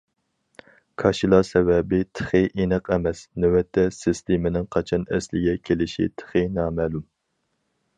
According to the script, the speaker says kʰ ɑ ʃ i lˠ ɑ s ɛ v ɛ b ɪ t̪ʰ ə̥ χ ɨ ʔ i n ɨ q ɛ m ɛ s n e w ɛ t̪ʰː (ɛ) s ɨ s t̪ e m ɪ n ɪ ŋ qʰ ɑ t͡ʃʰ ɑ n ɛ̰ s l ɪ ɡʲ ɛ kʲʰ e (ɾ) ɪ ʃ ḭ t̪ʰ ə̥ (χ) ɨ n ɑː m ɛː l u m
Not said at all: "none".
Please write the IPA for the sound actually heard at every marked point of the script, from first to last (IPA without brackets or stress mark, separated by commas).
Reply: ɛ, l, χ